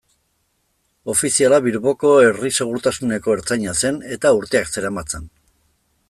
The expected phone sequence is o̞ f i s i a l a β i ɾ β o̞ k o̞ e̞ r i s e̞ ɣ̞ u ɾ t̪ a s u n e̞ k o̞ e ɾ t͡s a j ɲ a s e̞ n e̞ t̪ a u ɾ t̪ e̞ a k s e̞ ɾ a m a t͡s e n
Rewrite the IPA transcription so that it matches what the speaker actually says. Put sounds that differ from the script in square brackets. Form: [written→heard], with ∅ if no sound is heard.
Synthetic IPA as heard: o̞ f i s i a l a β i ɾ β o̞ k o̞ e̞ r i s e̞ ɣ̞ u ɾ t̪ a s u n e̞ k o̞ e ɾ t͡s a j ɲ a s e̞ n e̞ t̪ a u ɾ t̪ e̞ a k s e̞ ɾ a m a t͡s e n